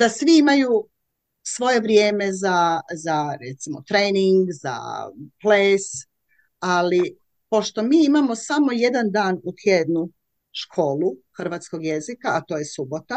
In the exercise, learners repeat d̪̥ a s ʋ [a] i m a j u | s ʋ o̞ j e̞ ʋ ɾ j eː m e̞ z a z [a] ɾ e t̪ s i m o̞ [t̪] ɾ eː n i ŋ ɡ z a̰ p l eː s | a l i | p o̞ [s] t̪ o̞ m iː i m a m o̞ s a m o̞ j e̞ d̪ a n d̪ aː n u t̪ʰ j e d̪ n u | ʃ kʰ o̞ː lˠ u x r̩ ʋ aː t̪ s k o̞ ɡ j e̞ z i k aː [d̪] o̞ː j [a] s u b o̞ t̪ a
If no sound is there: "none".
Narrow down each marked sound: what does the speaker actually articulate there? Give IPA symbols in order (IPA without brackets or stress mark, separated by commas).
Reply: i, a, t̪, ʃ, t̪, e